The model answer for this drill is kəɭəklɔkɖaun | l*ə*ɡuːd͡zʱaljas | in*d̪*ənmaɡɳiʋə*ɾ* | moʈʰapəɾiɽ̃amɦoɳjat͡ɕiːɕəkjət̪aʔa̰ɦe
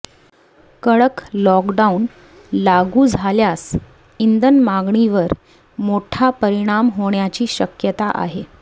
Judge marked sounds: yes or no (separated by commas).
no, yes, yes